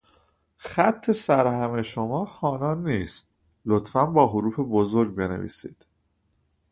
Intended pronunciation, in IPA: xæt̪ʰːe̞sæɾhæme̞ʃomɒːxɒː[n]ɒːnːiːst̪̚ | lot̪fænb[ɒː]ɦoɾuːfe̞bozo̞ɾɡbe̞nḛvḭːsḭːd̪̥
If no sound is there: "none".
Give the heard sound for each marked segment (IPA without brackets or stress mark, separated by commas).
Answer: n, ɒː